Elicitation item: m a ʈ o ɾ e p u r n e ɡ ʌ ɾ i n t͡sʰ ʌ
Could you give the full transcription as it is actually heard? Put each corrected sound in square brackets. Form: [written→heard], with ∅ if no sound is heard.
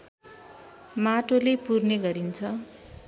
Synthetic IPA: m a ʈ o [ɾ→l] e p u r n e ɡ ʌ ɾ i n t͡sʰ ʌ